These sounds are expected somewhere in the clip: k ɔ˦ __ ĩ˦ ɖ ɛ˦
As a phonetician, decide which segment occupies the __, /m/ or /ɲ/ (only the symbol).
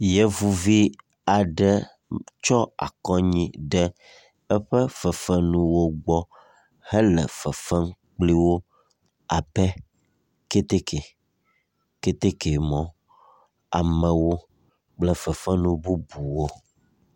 ɲ